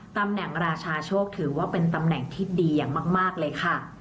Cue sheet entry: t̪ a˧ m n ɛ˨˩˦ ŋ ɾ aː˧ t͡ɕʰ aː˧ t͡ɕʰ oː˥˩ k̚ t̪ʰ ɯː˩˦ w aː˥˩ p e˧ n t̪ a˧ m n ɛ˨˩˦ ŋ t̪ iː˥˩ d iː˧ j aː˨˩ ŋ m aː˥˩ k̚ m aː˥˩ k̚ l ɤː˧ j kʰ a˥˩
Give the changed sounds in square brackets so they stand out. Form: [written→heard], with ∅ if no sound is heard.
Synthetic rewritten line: t̪ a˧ m n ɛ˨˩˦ ŋ ɾ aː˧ t͡ɕʰ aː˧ t͡ɕʰ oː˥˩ k̚ t̪ʰ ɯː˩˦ w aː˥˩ p e˧ n t̪ a˧ m n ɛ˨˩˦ ŋ [t̪→t̪ʰ] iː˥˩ d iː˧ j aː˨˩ ŋ m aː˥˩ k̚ m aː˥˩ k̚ l ɤː˧ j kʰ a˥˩